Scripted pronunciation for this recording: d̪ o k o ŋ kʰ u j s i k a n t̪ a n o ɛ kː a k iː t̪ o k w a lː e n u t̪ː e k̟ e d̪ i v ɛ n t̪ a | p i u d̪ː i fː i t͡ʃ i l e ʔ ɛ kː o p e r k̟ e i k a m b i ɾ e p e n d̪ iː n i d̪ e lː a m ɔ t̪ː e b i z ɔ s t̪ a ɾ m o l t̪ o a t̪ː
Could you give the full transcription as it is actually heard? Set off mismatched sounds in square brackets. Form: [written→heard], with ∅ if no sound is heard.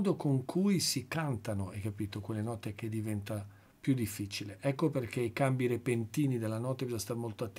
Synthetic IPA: d̪ o k o ŋ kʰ u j s i k a n t̪ a n o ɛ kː a [k→p] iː t̪ o k w [a→e] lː e n [u→ɔ] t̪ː e k̟ e d̪ i v ɛ n t̪ a | p [i→j] u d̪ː i fː i t͡ʃ i l e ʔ ɛ kː o p e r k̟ e i k a m b i ɾ e p e n [d̪→t̪] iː n i d̪ e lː a [m→n] ɔ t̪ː e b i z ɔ s t̪ a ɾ m o l t̪ o a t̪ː

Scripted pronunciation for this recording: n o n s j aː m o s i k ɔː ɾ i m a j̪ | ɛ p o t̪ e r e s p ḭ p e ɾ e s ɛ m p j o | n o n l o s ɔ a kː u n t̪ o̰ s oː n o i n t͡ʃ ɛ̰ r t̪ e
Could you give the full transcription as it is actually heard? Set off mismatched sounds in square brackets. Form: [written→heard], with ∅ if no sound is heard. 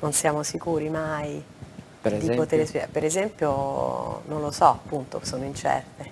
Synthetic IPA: n o n s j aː m o s i k [ɔː→uː] ɾ i m a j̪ | [ɛ→i] p o t̪ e [r→ɾ] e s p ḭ p e ɾ e [s→z] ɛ m p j o | n o n l o s ɔ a [kː→pː] u n t̪ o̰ s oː n o i n t͡ʃ ɛ̰ r t̪ e

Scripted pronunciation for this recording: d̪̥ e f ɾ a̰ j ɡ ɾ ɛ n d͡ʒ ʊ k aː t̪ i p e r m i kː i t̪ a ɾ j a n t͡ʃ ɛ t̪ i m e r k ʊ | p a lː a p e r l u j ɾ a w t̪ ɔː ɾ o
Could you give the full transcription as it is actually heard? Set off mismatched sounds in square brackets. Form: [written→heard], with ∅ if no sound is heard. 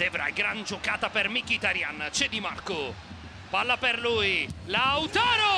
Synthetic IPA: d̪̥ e [f→v] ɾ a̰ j ɡ ɾ [ɛ→a] n d͡ʒ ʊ k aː t̪ [i→a] p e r m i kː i t̪ a ɾ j a n t͡ʃ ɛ [t̪→d̪] i m [e→a] r k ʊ | p a lː a p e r l u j [ɾ→l] a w t̪ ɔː ɾ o

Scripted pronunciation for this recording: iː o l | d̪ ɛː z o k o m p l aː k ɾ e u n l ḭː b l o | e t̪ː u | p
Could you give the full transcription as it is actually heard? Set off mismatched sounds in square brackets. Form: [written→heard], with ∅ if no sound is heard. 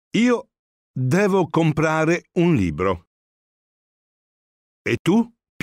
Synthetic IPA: iː o [l→∅] | d̪ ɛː [z→v] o k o m p [l→ɾ] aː [k→∅] ɾ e u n l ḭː b [l→ɾ] o | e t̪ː u | p

